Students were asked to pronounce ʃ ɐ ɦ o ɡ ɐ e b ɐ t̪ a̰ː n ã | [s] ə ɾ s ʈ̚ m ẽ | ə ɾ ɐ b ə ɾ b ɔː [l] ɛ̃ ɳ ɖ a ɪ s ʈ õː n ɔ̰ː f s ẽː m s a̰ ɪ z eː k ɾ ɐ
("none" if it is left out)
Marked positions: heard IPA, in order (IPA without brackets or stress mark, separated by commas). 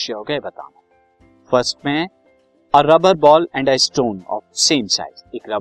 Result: f, l